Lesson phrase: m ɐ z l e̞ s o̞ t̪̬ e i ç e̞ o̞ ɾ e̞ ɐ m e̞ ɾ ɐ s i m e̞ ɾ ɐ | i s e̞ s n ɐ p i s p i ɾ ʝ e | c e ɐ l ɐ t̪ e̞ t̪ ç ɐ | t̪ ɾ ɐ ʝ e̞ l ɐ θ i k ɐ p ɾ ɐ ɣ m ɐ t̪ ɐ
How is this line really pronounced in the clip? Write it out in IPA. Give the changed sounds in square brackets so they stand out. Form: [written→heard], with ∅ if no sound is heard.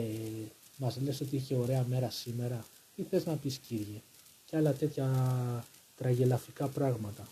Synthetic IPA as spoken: m ɐ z l e̞ s o̞ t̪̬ [e→i] i ç e̞ o̞ ɾ e̞ ɐ m e̞ ɾ ɐ s i m e̞ ɾ ɐ | i [s→θ] e̞ [s→z] n ɐ p i s [p→c] i ɾ ʝ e | c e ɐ l ɐ t̪ e̞ t̪ ç ɐ | t̪ ɾ ɐ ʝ e̞ l ɐ [θ→f] i k ɐ p ɾ ɐ ɣ m ɐ t̪ ɐ